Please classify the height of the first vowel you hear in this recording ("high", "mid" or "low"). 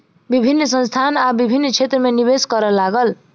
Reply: high